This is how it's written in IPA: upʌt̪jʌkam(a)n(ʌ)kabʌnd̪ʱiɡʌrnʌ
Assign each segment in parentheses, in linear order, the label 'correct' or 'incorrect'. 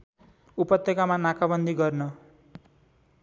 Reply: correct, incorrect: a

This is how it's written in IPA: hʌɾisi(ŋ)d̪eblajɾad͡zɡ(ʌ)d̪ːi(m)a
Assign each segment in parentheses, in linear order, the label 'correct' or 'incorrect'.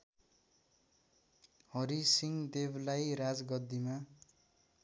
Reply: correct, correct, correct

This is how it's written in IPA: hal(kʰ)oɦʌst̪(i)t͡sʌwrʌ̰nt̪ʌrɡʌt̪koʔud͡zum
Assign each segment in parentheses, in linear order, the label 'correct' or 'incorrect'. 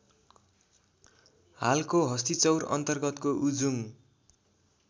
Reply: incorrect: k, correct

